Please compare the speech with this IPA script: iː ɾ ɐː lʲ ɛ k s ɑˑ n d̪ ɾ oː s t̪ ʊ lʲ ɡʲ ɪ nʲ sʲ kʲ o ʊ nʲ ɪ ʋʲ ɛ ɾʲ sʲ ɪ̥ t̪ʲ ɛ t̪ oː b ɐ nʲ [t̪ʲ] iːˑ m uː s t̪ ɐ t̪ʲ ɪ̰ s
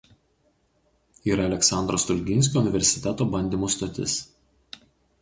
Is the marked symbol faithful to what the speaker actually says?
no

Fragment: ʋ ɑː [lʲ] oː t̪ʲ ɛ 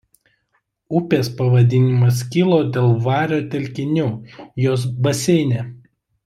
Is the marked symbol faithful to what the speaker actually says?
no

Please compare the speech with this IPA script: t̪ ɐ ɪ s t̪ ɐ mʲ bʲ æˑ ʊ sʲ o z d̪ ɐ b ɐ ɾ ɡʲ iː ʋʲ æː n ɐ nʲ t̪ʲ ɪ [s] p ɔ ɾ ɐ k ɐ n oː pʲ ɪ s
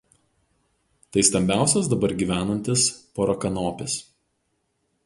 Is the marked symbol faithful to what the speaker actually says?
yes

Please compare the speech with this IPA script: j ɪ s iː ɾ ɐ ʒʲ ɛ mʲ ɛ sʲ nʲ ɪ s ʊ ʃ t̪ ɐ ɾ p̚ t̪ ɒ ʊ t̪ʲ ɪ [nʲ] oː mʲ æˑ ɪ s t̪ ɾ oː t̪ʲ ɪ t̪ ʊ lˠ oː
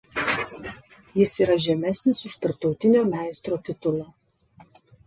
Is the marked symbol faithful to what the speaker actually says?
yes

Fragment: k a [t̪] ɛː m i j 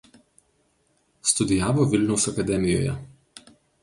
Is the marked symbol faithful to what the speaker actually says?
no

